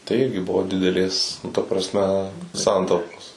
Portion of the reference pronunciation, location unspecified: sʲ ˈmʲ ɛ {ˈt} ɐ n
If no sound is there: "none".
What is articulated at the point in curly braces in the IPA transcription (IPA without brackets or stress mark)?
s